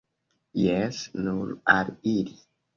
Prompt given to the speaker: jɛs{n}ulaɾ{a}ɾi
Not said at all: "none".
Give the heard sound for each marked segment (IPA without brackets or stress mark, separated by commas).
n, i